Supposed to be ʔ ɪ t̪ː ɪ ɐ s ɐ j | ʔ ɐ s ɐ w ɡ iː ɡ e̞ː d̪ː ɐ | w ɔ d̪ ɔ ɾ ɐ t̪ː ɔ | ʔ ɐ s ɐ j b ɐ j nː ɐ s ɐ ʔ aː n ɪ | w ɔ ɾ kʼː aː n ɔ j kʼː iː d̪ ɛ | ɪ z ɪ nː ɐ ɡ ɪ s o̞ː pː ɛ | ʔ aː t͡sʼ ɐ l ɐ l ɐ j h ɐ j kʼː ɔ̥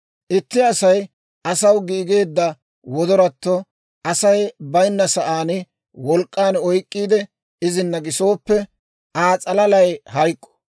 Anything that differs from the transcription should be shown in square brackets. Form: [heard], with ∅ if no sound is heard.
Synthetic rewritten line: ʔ ɪ t̪ː ɪ ɐ s ɐ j | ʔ ɐ s ɐ w ɡ iː ɡ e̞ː d̪ː ɐ | w ɔ d̪ ɔ ɾ ɐ t̪ː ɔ | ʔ ɐ s ɐ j b ɐ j nː ɐ s ɐ ʔ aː n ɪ | w ɔ [l] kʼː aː n ɔ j kʼː iː d̪ ɛ | ɪ z ɪ nː ɐ ɡ ɪ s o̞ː pː ɛ | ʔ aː t͡sʼ ɐ l ɐ l ɐ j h ɐ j kʼː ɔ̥

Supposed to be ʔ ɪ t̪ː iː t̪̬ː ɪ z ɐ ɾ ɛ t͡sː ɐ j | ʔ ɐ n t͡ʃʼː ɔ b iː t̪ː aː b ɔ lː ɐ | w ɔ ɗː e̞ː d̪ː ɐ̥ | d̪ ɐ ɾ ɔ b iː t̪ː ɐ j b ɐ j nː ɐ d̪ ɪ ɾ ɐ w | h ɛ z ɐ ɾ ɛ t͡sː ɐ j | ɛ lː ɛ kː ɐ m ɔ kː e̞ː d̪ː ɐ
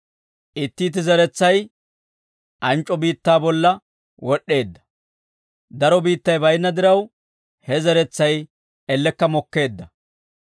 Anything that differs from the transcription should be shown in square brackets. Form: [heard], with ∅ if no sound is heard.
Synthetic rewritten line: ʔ ɪ t̪ː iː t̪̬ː ɪ z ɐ ɾ ɛ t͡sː ɐ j | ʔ ɐ n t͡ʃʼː ɔ b iː t̪ː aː b ɔ lː ɐ | w ɔ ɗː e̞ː d̪ː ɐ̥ | d̪ ɐ ɾ ɔ b iː t̪ː ɐ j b ɐ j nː ɐ d̪ ɪ ɾ ɐ w | h ɛ z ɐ ɾ ɛ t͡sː ɐ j | ɛ lː ɛ kː ɐ m ɔ kː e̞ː d̪ː ɐ

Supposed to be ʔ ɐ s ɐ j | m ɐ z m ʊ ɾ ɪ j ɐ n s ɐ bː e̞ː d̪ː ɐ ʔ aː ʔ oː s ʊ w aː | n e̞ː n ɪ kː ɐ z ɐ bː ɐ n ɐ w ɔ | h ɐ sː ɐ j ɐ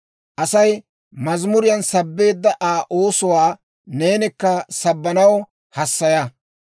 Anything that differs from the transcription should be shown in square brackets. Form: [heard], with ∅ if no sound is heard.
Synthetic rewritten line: ʔ ɐ s ɐ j | m ɐ z m ʊ ɾ ɪ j ɐ n s ɐ bː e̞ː d̪ː ɐ ʔ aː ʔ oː s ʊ w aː | n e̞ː n ɪ kː ɐ [s] ɐ bː ɐ n ɐ w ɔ | h ɐ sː ɐ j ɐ

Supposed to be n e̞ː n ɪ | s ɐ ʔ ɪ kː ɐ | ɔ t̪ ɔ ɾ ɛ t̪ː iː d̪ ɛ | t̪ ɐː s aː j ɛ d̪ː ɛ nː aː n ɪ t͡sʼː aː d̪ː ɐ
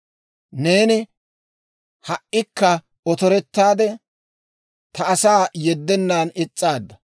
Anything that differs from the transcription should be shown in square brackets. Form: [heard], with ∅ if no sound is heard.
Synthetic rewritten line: n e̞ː n ɪ | [h] ɐ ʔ ɪ kː ɐ | ɔ t̪ ɔ ɾ ɛ t̪ː [aː] d̪ ɛ | t̪ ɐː s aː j ɛ d̪ː ɛ nː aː n ɪ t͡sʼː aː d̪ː ɐ

